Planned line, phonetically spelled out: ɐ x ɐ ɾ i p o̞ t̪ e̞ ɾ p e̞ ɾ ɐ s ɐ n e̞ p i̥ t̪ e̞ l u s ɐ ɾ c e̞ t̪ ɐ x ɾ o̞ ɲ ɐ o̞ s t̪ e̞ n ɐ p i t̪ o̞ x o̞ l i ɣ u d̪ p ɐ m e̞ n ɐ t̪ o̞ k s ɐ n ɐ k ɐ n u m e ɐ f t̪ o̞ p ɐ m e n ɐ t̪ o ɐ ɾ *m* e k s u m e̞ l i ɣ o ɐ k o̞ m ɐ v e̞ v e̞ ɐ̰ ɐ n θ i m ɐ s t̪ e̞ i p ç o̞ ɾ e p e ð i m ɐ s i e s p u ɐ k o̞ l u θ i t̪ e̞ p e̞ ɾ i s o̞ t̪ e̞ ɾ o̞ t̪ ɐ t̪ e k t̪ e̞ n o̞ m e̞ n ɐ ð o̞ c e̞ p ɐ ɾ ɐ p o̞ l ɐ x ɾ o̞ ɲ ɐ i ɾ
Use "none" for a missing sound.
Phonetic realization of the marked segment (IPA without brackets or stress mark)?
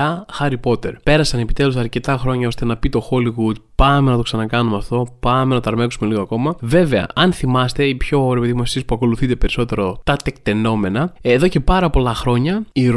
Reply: m